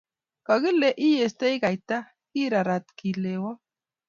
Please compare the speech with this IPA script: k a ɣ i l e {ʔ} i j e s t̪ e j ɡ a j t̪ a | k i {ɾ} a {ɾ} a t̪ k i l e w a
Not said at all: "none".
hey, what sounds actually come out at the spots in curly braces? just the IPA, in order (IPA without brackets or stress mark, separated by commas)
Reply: ʔ, ɾ, ɾ